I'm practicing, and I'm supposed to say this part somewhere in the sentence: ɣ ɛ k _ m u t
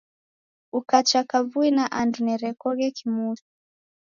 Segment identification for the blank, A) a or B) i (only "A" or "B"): B